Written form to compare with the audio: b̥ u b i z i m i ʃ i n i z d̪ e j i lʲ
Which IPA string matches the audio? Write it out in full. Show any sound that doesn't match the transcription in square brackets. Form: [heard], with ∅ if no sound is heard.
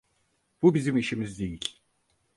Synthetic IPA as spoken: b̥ u b i z i m i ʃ i [m] i z d̪ e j i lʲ